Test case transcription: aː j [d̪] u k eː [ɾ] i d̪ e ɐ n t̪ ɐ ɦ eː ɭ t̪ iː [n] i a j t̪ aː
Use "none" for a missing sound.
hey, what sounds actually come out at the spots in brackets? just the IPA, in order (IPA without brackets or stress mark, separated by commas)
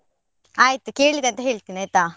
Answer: t̪, ɭ, n